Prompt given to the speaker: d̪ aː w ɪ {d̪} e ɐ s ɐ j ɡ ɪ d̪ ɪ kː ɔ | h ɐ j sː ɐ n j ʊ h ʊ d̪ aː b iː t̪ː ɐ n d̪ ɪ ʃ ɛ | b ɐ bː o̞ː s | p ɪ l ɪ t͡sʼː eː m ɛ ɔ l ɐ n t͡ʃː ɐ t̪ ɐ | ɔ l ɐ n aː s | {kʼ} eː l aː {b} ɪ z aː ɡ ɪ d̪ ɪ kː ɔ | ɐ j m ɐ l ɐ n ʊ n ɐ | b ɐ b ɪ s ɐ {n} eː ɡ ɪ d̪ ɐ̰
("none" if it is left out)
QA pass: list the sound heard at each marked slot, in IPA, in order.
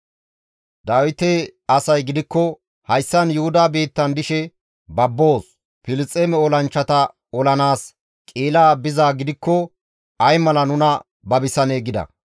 t̪, kʼ, b, n

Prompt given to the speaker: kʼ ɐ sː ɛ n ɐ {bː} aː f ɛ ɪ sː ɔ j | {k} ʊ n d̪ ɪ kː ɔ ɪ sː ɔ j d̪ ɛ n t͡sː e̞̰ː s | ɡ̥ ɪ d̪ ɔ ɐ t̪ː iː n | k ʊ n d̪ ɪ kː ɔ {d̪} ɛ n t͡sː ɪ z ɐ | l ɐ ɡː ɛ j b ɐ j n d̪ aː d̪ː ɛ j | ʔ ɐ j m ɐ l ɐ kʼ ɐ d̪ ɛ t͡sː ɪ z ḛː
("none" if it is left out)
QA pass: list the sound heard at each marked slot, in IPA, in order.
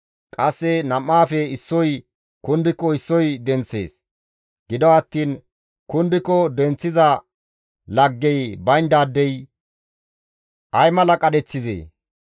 mː, k, d̪

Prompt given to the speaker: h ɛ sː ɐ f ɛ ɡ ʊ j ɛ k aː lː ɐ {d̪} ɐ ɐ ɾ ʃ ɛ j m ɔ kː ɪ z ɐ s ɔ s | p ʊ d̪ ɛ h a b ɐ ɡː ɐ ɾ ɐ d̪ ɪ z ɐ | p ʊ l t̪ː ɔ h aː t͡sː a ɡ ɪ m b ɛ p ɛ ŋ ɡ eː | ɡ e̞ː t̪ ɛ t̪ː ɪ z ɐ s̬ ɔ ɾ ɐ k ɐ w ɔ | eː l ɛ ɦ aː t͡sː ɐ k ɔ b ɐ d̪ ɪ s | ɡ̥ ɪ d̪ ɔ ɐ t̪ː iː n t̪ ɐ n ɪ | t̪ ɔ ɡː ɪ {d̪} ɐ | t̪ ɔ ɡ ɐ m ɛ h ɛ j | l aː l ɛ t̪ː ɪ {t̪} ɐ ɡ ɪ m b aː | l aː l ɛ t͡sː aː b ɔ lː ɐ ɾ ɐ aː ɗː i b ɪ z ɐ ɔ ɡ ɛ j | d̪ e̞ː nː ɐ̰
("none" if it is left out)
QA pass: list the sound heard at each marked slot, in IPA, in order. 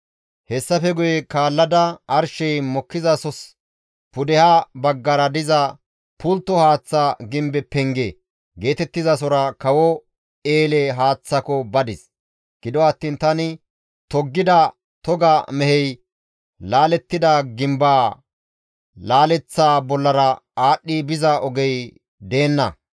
d̪, d̪, d̪

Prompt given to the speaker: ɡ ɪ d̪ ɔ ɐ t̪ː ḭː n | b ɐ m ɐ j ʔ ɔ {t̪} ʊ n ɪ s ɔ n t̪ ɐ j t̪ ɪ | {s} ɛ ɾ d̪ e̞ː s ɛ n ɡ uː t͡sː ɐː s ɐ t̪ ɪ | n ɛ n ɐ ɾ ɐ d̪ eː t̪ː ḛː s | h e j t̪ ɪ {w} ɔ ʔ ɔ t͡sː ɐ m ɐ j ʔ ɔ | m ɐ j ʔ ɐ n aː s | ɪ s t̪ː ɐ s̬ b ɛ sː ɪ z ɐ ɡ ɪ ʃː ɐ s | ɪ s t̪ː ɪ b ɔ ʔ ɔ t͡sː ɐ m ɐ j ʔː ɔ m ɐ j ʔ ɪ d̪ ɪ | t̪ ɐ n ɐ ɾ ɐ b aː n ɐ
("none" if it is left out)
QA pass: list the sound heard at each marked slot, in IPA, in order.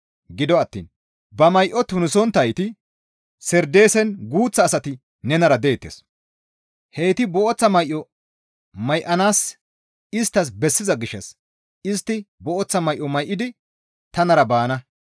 t̪, s, b

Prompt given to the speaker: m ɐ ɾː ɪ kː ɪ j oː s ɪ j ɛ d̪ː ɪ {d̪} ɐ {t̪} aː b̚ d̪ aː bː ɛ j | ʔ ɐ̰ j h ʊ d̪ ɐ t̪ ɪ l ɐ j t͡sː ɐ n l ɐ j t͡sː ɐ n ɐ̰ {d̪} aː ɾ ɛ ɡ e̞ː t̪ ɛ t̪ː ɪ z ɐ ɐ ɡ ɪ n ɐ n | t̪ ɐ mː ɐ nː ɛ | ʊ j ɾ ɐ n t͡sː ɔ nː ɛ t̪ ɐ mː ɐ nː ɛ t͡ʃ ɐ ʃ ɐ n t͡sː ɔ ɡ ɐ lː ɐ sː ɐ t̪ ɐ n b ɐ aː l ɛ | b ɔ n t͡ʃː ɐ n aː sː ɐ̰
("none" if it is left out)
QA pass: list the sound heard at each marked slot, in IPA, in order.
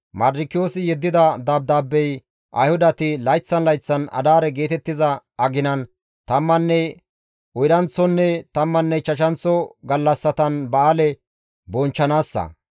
d̪, d̪, d̪

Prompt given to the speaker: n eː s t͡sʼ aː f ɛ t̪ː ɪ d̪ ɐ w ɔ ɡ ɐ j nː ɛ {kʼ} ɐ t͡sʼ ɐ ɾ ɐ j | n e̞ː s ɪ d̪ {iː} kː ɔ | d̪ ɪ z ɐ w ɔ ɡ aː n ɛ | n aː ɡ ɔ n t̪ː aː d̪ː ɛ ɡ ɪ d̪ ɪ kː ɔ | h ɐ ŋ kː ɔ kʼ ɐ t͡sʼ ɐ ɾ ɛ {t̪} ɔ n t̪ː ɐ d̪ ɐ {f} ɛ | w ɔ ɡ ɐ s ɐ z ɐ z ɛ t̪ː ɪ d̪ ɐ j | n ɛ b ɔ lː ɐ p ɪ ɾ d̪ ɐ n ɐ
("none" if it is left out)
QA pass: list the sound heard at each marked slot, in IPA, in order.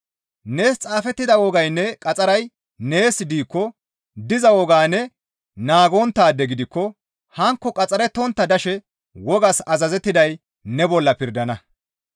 kʼ, iː, t̪, ʃ

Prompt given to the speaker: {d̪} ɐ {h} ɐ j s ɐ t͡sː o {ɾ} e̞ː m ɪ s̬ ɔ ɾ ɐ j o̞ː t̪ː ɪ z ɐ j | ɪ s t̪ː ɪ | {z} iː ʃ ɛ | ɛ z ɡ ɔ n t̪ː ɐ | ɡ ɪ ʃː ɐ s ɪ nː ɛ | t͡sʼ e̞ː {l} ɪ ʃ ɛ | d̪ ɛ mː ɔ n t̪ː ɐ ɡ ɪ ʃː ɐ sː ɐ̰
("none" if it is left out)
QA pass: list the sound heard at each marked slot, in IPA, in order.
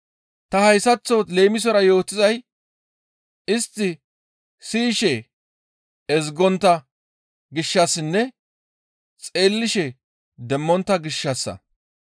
t̪, h, l, s, lː

